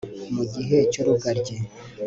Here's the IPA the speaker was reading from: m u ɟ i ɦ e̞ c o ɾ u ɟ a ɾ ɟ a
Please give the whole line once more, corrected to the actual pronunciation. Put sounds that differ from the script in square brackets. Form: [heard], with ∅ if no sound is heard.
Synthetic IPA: m u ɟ i ɦ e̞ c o ɾ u [ɡ] a ɾ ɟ [e]